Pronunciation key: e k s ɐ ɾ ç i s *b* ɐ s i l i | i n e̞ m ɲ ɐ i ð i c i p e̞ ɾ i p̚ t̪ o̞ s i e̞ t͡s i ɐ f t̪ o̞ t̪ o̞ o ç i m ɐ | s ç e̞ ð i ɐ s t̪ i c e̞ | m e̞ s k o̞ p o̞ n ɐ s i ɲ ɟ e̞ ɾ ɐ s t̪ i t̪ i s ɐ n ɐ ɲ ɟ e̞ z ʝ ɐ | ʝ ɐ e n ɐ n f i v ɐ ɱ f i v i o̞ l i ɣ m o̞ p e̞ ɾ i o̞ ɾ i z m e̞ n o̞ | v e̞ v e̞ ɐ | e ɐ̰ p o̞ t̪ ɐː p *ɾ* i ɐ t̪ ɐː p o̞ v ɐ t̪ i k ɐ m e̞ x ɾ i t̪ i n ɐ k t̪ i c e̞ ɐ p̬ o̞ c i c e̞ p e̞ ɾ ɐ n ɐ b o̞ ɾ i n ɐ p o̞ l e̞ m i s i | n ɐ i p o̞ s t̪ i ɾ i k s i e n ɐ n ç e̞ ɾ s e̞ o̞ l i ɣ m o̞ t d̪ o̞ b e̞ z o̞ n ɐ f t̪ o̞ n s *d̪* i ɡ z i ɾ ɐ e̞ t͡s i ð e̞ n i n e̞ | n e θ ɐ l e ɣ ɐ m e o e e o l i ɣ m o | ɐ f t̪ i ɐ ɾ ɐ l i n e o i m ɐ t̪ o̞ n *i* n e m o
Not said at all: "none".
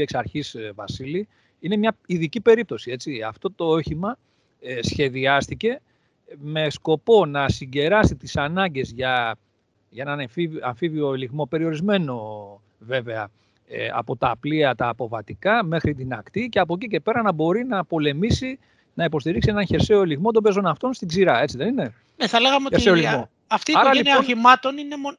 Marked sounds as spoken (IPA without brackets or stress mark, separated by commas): v, l, t̪, i